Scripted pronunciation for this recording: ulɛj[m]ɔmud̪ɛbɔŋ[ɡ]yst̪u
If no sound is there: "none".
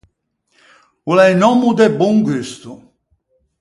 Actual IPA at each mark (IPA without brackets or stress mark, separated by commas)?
n, ɡ